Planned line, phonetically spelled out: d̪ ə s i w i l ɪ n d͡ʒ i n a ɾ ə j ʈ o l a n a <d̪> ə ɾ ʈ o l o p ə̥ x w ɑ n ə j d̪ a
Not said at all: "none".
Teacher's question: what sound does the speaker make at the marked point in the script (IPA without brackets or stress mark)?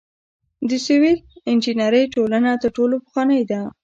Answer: t̪